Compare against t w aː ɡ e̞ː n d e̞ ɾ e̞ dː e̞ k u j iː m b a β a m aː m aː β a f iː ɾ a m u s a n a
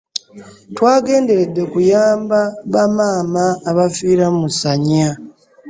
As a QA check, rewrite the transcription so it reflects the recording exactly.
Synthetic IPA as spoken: t w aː ɡ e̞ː n d e̞ ɾ e̞ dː e̞ k u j aː m b a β a m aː m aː β a f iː ɾ a m u s a ɲ a